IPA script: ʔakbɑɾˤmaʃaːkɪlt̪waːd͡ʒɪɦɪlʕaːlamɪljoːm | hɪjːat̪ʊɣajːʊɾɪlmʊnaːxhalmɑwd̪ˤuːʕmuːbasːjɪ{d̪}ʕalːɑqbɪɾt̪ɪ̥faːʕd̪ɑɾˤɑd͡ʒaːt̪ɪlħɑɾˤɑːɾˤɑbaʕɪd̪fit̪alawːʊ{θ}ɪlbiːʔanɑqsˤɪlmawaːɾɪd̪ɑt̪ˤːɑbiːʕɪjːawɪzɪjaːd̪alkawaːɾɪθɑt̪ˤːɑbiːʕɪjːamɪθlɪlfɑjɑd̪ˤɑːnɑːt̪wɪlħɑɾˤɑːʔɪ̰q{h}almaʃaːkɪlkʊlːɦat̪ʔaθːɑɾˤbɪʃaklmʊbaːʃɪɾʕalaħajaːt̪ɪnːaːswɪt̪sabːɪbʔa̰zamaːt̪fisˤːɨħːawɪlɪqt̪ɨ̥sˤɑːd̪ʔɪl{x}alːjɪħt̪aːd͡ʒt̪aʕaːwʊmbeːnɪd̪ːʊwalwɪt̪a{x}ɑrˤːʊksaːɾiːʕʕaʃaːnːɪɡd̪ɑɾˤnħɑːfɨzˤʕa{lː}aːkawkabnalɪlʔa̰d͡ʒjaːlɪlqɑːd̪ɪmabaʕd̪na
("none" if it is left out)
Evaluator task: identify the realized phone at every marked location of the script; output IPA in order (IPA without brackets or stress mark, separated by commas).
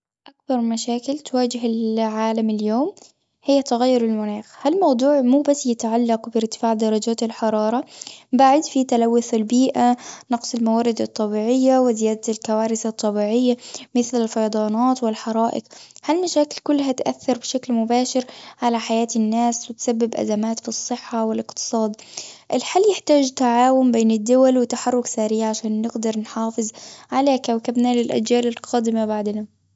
t̪, θ, h, ħ, ħ, l